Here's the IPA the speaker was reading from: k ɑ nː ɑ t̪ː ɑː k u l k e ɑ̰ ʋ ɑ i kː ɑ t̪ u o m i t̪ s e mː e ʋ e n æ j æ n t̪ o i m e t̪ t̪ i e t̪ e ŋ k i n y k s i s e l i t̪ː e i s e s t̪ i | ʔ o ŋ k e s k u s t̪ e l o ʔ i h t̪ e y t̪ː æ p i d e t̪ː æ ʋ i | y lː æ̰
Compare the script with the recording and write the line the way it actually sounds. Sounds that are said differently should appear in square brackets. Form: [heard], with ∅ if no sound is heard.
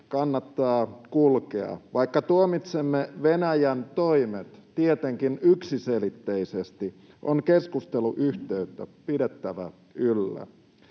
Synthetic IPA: k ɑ nː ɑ t̪ː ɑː k u l k e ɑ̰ ʋ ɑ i kː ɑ t̪ u o m i t̪ s e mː e ʋ e n æ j æ n t̪ o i m e t̪ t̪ i e t̪ e ŋ k i n y k s i s e l i t̪ː e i s e s t̪ i | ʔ o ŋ k e s k u s t̪ e l [u] ʔ [y] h t̪ e y t̪ː æ p i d e t̪ː æ ʋ [æ] | y lː æ̰